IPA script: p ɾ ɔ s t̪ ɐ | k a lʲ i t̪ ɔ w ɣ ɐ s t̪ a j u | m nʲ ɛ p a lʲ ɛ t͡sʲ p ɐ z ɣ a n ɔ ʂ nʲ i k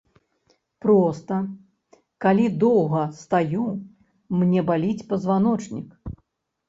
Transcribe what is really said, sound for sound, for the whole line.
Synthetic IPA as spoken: p ɾ ɔ s t̪ ɐ | k a lʲ i d̪ ɔ w ɣ ɐ s t̪ a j u | m nʲ ɛ b a lʲ i t͡sʲ p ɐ z v a n ɔ t͡ʂ nʲ i k